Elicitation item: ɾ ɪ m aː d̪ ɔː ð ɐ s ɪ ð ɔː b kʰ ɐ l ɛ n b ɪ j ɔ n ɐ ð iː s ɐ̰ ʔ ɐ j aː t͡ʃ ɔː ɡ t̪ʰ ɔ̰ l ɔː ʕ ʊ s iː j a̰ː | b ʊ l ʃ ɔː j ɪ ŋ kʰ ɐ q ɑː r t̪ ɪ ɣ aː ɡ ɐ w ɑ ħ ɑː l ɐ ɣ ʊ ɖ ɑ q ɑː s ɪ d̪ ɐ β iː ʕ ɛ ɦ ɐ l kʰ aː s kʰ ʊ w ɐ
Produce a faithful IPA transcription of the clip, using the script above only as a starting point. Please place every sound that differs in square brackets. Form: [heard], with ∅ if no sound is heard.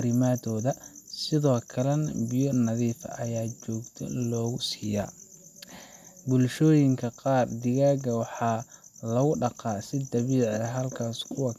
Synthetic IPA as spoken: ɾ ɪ m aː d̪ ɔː ð ɐ s ɪ ð ɔː [∅] kʰ ɐ l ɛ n b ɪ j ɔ n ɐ ð iː [f] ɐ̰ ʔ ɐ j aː t͡ʃ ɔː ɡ t̪ʰ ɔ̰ l ɔː [ɣ] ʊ s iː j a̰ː | b ʊ l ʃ ɔː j ɪ ŋ kʰ ɐ q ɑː r [d̪] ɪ ɣ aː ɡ ɐ w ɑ ħ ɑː l ɐ ɣ ʊ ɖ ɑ q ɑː s ɪ d̪ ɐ β iː ʕ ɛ ɦ ɐ l kʰ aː s kʰ ʊ w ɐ